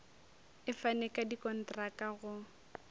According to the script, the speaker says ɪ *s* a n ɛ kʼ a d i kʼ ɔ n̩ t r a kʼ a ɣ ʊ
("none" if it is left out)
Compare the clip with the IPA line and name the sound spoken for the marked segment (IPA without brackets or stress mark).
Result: f